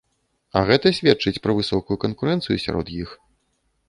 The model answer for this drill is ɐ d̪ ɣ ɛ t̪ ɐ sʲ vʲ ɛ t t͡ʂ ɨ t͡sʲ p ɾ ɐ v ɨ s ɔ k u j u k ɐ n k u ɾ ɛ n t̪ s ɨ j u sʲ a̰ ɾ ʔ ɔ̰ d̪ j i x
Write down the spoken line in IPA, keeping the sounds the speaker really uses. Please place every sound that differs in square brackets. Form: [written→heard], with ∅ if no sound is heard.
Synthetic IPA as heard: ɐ [d̪→∅] ɣ ɛ t̪ ɐ sʲ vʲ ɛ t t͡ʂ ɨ t͡sʲ p ɾ ɐ v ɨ s ɔ k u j u k ɐ n k u ɾ ɛ n t̪ s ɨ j u sʲ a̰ ɾ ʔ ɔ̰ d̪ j i x